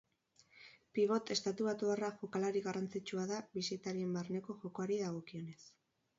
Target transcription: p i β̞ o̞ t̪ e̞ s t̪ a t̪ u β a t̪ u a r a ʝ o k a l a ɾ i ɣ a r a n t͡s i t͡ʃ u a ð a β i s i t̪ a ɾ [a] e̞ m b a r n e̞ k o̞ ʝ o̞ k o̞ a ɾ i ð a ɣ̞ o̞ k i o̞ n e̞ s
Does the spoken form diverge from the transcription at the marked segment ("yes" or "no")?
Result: yes